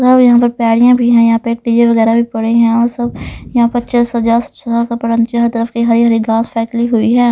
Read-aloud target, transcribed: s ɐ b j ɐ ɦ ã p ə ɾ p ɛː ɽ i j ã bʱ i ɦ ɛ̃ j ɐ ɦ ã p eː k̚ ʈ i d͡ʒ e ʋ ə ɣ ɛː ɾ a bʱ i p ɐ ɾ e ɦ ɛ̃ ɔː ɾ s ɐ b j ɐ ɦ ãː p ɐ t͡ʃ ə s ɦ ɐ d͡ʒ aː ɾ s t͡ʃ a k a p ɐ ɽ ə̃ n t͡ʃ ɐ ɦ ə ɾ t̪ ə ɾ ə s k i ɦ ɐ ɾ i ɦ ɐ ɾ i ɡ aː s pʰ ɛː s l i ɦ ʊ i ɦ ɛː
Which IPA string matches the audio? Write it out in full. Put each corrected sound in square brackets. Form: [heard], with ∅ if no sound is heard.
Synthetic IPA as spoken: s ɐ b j ɐ ɦ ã p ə ɾ p ɛː ɽ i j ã bʱ i ɦ ɛ̃ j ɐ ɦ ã p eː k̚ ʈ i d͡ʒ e ʋ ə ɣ ɛː ɾ a bʱ i p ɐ [ɽ] e ɦ ɛ̃ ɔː ɾ s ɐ b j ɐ ɦ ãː p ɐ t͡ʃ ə s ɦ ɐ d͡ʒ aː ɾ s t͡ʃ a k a p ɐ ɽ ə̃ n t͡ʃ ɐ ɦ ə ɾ t̪ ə ɾ ə [f] k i ɦ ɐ ɾ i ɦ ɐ ɾ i ɡ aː s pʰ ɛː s l i ɦ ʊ i ɦ ɛː